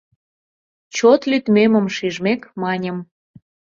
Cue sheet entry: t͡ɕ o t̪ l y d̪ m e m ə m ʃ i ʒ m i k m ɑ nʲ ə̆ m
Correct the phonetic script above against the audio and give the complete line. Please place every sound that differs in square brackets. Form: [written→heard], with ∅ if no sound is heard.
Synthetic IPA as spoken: t͡ɕ o t̪ l y [d̪→t̪] m e m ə m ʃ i ʒ m [i→e] k m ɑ nʲ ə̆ m